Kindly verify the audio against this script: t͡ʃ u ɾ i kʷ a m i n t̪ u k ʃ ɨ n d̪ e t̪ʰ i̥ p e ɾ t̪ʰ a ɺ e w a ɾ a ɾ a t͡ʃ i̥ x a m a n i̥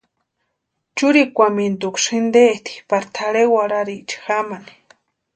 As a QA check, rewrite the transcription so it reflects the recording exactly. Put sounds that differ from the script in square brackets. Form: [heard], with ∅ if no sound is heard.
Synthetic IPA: t͡ʃ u ɾ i kʷ a m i n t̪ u k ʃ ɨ n d̪ e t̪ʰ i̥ p [a] ɾ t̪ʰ a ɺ e w a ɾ a ɾ [i] t͡ʃ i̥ x a m a n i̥